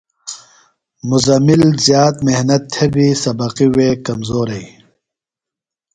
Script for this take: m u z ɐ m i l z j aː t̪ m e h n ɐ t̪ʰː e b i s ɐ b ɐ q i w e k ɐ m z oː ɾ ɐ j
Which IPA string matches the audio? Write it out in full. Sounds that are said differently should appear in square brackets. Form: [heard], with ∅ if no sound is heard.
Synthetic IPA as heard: m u z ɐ m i l z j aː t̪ m e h n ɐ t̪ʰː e b i s ɐ b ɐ q i w e k ɐ m z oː ɾ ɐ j